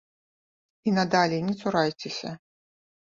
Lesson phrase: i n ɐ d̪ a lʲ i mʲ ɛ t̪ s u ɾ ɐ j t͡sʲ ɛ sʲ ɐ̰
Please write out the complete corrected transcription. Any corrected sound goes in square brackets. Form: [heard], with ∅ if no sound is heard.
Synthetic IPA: i n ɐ d̪ a lʲ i [nʲ] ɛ t̪ s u ɾ [a] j t͡sʲ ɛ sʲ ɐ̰